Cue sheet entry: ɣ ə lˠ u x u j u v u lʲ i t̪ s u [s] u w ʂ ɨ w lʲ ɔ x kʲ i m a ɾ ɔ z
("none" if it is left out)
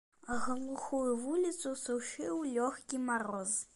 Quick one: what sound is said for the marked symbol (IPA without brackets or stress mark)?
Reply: s